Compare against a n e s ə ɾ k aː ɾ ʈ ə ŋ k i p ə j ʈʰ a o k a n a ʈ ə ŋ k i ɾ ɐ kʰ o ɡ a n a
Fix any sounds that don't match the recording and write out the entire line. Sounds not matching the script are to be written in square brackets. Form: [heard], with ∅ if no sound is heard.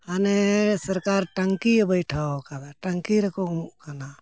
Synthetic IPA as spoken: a n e s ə ɾ k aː ɾ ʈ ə ŋ k i [b] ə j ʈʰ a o k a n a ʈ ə ŋ k i ɾ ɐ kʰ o [k] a n a

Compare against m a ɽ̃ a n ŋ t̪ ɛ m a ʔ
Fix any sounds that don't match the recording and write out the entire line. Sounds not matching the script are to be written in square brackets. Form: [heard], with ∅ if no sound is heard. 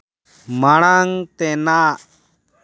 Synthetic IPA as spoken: m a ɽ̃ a [∅] ŋ t̪ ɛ [n] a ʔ

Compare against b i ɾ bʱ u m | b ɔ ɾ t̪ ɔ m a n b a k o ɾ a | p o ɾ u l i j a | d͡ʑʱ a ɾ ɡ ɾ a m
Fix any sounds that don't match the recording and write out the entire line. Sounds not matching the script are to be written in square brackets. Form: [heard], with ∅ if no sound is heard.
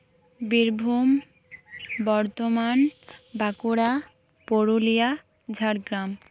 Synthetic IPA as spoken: b i ɾ bʱ u m | b ɔ ɾ t̪ [o] m a n b a k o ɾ a | p o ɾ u l i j a | d͡ʑʱ a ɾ ɡ ɾ a m

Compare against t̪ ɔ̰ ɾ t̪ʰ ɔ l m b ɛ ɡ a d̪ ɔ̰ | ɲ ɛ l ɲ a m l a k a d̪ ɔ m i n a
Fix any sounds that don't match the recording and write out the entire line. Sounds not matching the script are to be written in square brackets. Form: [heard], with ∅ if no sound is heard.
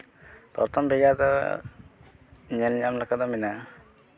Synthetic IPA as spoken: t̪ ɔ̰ ɾ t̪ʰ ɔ [∅] m b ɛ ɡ a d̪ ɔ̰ | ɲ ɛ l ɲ a m l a k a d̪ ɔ m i n a

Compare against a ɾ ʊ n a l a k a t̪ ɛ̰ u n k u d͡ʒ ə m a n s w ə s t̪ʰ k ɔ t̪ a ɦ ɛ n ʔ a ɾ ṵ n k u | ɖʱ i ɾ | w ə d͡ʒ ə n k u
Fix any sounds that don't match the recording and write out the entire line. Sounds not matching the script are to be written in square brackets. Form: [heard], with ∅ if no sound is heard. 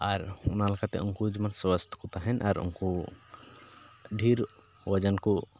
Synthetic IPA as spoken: a ɾ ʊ n a l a k a t̪ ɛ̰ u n k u d͡ʒ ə m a n s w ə s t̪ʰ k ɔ t̪ a ɦ ɛ n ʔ a ɾ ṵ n k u | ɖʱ i ɾ | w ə d͡ʒ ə n k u

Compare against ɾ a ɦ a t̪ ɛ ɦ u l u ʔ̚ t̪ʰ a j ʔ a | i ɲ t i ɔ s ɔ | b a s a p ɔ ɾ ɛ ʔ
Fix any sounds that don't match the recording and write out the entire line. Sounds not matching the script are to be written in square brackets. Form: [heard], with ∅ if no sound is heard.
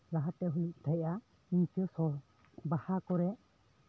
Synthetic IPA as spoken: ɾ a ɦ a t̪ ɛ ɦ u l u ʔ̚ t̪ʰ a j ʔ a | i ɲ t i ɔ s ɔ | b a [h] a [k] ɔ ɾ ɛ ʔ

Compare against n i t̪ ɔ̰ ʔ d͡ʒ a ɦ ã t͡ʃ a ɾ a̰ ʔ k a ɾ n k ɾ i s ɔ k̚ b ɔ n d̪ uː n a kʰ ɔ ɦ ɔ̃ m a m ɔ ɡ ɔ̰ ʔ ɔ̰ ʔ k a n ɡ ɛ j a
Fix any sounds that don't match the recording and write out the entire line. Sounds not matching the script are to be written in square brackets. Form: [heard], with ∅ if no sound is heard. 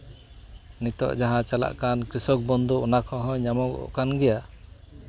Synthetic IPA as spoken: n i t̪ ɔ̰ ʔ d͡ʒ a ɦ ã t͡ʃ a [l] a̰ ʔ k a [∅] n k ɾ i s ɔ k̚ b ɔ n d̪ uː n a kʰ ɔ ɦ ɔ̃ [ɲ] a m ɔ ɡ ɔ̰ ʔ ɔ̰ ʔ k a n ɡ ɛ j a

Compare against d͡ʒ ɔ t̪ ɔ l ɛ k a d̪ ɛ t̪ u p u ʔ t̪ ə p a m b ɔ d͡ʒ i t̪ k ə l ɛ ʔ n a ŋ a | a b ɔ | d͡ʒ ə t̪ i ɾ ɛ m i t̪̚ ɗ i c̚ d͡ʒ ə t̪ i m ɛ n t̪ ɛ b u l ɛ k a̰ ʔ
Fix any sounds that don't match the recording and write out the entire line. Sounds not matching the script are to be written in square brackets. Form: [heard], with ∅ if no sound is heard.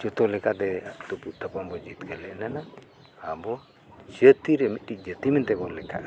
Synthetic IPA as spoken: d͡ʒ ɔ t̪ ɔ l ɛ k a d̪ ɛ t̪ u p u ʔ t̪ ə p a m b ɔ d͡ʒ i t̪ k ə l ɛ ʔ n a [n] a | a b ɔ | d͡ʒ ə t̪ i ɾ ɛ m i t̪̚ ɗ i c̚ d͡ʒ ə t̪ i m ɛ n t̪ ɛ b [ɔ] l ɛ k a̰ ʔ

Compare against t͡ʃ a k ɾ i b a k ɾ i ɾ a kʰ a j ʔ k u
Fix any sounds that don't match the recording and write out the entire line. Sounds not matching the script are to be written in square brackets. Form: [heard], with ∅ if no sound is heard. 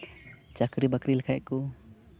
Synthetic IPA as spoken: t͡ʃ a k ɾ i b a k ɾ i [l] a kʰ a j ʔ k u

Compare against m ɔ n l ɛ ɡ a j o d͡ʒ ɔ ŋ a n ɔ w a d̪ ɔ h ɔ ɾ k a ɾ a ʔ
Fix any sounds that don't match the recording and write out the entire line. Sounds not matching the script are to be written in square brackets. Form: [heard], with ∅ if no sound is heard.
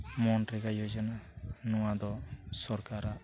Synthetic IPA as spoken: m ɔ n [ɾ] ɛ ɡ a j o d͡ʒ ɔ [n] a n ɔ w a d̪ ɔ [s] ɔ ɾ k a ɾ a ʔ

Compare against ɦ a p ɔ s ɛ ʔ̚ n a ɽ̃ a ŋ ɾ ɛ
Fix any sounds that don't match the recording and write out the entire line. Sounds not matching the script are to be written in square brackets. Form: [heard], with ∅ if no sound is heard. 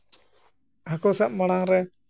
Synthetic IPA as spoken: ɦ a [k] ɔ s [a] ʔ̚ [m] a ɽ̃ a ŋ ɾ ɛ

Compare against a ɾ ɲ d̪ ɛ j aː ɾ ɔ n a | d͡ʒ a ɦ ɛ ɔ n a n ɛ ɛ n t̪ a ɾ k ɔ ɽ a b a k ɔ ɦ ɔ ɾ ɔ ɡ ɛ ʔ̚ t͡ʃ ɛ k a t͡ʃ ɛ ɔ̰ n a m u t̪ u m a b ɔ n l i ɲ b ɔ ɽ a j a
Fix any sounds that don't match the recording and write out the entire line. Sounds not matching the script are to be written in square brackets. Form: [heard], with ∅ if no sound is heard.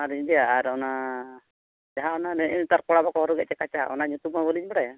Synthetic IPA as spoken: a ɾ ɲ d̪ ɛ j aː ɾ ɔ n a | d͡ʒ a ɦ [a] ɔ n a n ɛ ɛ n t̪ a ɾ k ɔ ɽ a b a k ɔ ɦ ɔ ɾ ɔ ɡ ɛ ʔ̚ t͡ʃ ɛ k a t͡ʃ [a] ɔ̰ n a [ɲ] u t̪ u m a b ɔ [∅] l i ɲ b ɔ ɽ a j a

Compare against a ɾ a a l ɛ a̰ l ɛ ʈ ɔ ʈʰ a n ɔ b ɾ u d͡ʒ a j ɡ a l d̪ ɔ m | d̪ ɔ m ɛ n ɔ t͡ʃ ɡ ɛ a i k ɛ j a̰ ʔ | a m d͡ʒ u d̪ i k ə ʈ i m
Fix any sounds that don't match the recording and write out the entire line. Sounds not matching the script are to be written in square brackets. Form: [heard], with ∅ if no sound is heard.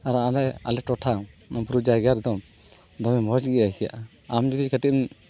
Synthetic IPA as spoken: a ɾ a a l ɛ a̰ l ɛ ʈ ɔ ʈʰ a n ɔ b ɾ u d͡ʒ a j ɡ a [ɾ] d̪ ɔ m | d̪ ɔ m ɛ [m] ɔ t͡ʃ ɡ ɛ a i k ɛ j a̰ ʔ | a m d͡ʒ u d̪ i k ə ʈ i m

